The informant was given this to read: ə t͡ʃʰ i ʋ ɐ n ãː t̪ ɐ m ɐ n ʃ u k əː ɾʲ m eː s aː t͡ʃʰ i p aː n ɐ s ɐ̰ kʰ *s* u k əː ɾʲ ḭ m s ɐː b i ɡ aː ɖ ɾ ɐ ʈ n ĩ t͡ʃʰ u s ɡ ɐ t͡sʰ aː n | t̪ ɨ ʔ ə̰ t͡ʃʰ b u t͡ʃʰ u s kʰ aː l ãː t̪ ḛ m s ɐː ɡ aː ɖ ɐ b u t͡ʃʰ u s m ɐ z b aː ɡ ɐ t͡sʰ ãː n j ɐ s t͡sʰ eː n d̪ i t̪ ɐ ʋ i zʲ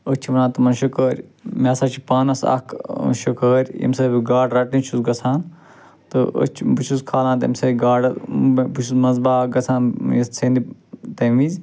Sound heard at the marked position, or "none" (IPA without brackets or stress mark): ʃ